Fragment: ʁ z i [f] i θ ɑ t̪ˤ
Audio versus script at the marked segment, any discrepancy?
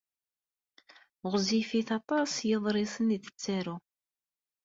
no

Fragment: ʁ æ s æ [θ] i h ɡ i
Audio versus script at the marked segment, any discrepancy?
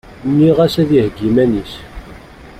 yes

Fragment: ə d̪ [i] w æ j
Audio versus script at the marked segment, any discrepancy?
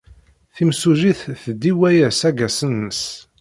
no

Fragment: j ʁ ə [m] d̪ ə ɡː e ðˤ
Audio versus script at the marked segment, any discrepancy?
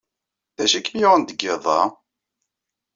yes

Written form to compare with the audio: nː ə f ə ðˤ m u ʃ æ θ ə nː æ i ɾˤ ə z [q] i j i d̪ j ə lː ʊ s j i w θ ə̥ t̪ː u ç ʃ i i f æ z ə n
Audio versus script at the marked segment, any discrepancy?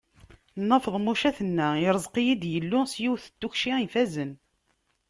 no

